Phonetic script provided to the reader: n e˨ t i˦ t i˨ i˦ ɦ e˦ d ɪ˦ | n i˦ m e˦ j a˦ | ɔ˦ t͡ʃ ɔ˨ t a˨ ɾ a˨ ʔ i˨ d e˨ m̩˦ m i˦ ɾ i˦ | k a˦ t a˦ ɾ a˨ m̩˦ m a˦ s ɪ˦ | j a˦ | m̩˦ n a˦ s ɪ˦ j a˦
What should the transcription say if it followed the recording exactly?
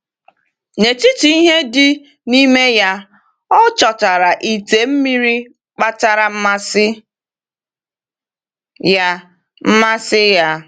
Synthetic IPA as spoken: n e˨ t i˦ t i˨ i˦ ɦ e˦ d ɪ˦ | n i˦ m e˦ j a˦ | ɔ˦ t͡ʃ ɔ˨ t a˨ ɾ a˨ ʔ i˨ t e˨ m̩˦ m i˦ ɾ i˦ | k͡p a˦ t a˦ ɾ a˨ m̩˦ m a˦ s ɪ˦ | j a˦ | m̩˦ m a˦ s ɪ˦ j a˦

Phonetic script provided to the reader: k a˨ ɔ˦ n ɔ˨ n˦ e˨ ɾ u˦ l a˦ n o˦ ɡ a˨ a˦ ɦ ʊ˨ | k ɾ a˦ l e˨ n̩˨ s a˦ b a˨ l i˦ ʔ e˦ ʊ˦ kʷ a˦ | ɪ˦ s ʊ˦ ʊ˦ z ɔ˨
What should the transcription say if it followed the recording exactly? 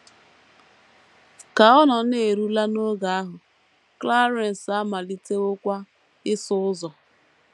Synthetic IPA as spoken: k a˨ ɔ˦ n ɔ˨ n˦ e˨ ɾ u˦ l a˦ n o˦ ɡ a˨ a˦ ɦ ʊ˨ | k l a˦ ɾ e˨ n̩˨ s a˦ m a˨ l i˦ t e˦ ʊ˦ kʷ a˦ | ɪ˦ s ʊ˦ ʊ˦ z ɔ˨

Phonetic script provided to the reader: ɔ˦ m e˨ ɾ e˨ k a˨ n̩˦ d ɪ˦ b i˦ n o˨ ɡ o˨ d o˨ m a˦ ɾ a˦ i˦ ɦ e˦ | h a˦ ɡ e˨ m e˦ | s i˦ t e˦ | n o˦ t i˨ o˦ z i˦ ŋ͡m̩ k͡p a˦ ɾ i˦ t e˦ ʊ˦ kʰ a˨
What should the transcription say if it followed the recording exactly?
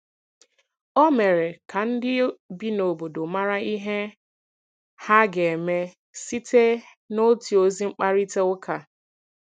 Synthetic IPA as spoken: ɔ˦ m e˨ ɾ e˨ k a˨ n̩˦ d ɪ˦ b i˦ n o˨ b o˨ d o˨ m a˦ ɾ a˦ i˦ ɦ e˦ | h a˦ ɡ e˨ m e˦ | s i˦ t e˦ | n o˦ t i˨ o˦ z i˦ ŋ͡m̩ k͡p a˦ ɾ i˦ t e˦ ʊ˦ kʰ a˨

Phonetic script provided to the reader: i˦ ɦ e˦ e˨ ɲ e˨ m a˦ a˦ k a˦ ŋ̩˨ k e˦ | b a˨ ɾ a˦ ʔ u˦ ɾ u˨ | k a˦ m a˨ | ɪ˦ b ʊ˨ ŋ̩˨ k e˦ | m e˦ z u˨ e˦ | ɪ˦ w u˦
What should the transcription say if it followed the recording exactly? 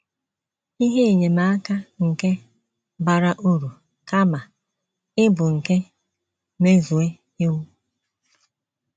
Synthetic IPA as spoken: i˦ ɦ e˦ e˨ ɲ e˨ m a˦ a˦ k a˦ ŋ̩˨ k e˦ | b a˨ ɾ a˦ ʔ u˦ ɾ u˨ | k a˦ m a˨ | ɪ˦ b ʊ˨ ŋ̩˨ k e˦ | m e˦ z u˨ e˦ | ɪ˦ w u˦

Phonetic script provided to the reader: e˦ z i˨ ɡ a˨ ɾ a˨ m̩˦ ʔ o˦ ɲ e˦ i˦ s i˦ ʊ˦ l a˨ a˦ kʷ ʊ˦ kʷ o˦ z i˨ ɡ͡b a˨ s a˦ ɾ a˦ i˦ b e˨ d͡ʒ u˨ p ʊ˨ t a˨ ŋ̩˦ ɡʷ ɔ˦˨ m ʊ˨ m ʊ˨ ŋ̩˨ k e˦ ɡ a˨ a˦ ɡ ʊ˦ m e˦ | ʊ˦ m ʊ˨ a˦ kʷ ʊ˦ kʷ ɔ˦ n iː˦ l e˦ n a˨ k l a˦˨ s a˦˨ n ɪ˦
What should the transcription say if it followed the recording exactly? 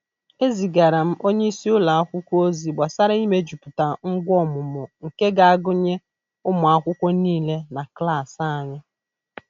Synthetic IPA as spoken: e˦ z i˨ ɡ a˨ ɾ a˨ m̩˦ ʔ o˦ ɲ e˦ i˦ s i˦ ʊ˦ l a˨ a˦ kʷ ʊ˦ kʷ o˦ z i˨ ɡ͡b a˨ s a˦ ɾ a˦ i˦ m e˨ d͡ʒ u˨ p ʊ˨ t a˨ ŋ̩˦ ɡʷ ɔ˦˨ m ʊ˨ m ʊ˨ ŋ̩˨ k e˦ ɡ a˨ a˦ ɡ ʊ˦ ɲ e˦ | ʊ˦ m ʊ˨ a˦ kʷ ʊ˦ kʷ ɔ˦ n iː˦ l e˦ n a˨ k l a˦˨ s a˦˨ ɲ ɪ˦

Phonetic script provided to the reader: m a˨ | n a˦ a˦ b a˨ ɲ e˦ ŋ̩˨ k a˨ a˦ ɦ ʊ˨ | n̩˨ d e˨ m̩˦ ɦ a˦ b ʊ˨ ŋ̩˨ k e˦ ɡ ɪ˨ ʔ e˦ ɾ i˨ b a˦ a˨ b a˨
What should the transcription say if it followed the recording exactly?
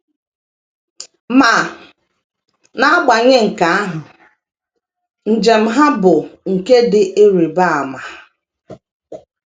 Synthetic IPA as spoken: m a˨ | n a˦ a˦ ɡ͡b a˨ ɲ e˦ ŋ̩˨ k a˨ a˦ ɦ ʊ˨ | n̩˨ d͡ʒ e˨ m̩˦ ɦ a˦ b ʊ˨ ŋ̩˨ k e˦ d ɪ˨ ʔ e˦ ɾ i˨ b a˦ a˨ m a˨

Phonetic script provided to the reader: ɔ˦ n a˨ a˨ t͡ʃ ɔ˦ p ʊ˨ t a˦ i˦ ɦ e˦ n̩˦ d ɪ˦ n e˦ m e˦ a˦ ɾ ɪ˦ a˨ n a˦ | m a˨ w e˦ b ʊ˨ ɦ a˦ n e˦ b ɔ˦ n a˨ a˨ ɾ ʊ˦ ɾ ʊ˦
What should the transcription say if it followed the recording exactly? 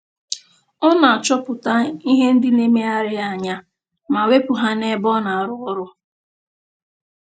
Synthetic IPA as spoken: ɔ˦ n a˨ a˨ t͡ʃ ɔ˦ p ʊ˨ t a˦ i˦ ɦ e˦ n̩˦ d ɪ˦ n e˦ m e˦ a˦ ɾ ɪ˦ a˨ ɲ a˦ | m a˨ w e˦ p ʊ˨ ɦ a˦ n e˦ b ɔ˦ n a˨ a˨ ɾ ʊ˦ ɾ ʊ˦

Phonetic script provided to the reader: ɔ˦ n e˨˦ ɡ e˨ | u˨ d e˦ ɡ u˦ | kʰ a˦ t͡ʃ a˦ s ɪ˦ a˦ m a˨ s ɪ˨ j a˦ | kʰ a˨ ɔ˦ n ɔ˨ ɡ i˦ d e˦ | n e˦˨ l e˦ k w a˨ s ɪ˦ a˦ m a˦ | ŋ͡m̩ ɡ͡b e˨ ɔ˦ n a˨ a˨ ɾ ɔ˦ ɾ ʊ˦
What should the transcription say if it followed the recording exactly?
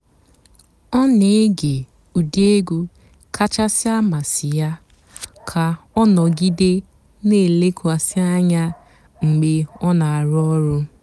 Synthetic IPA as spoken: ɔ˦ n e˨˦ ɡ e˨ | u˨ d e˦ ɡ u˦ | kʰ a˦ t͡ʃ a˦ s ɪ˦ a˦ m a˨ s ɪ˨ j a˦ | kʰ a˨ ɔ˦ n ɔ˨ ɡ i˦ d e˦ | n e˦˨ l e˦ k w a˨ s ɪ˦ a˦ ɲ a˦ | ŋ͡m̩ ɡ͡b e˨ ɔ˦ n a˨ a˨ ɾ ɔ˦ ɾ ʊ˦

